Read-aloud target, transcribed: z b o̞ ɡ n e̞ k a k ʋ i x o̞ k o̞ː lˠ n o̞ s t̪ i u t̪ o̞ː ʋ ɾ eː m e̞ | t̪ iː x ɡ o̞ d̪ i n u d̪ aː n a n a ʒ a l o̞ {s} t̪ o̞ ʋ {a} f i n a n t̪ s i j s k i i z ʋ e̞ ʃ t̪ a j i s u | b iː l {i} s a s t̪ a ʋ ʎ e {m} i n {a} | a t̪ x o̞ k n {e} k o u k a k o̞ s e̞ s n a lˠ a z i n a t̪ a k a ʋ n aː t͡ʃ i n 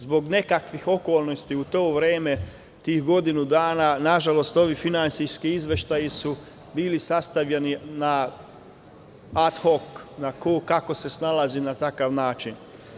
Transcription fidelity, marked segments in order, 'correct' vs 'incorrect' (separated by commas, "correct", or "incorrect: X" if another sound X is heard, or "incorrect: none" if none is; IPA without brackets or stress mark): correct, incorrect: i, correct, incorrect: n, correct, incorrect: a